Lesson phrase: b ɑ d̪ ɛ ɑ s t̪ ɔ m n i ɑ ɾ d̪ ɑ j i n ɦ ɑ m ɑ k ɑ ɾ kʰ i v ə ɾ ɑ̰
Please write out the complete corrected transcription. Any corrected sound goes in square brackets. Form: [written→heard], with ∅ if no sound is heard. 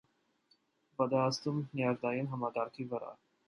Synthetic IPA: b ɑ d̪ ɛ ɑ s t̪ [ɔ→u] m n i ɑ ɾ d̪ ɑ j i n ɦ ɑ m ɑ k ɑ ɾ kʰ i v ə ɾ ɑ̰